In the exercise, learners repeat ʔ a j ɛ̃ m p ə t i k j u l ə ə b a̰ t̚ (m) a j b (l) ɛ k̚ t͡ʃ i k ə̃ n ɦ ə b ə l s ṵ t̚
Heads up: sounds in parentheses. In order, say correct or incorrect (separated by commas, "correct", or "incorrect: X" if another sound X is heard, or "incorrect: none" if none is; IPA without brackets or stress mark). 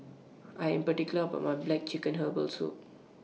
correct, correct